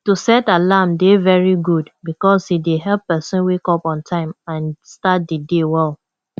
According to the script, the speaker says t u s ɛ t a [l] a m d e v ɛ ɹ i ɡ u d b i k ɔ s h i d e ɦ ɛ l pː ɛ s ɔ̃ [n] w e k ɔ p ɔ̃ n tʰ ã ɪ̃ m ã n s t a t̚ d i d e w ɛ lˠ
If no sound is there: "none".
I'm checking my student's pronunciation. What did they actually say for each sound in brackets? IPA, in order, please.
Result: l, n

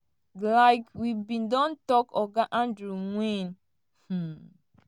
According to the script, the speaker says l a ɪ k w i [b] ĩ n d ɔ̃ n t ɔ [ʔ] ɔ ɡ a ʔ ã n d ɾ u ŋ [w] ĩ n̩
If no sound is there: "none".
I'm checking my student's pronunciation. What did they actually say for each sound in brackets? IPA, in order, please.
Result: b, k, w

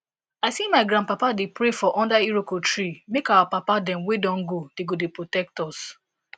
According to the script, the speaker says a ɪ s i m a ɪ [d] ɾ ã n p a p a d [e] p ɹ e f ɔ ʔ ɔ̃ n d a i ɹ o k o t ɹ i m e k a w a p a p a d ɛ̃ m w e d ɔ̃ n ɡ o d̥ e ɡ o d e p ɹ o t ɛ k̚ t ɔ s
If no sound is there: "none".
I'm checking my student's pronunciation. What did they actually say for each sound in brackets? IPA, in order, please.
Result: ɡ, e

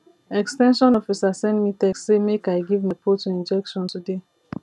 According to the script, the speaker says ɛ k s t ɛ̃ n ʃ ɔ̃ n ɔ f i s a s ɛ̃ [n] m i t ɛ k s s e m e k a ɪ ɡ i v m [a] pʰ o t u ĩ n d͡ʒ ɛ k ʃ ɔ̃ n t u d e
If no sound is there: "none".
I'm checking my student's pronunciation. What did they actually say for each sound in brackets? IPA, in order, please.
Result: n, a

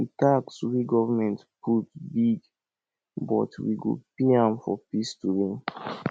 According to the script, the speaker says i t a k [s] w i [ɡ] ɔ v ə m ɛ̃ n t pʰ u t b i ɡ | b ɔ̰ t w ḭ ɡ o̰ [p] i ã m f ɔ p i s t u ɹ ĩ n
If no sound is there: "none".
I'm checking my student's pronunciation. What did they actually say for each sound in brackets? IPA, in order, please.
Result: s, ɡ, p

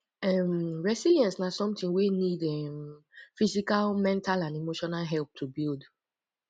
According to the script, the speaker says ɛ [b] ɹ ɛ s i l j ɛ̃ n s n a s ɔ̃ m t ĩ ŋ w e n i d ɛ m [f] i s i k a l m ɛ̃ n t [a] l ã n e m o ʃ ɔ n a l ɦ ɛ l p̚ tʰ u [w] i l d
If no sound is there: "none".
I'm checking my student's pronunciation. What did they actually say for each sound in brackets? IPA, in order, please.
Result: m, f, a, b

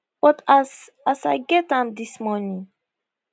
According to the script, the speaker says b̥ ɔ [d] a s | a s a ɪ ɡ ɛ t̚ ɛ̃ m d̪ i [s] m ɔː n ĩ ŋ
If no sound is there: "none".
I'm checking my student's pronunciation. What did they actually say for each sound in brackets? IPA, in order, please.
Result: t, s

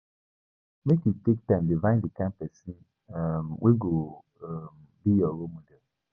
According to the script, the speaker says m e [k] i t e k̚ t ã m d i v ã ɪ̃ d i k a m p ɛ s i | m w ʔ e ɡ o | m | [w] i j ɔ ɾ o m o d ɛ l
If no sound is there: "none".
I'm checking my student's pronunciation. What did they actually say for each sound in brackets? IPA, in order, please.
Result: k, b

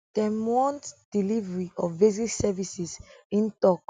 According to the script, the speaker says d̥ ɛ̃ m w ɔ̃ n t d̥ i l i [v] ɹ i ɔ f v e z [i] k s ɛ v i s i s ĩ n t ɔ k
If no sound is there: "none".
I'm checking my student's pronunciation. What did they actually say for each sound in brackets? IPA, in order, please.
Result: v, i

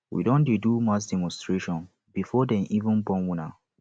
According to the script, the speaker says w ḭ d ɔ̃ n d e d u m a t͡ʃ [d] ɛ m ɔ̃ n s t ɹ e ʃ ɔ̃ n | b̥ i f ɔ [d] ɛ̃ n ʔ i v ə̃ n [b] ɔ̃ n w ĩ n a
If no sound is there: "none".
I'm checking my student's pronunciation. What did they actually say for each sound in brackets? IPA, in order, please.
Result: d, d, b

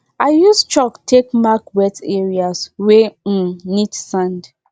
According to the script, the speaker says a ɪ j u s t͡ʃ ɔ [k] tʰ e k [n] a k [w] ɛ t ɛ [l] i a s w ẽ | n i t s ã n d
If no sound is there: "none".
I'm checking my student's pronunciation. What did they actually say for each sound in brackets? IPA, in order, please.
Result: k, m, w, ɹ

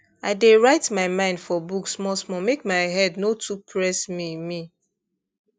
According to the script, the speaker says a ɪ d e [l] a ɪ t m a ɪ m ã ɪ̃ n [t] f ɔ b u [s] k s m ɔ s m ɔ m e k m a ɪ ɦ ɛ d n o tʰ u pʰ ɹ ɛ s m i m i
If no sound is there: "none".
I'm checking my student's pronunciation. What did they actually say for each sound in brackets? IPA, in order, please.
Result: ɹ, d, none

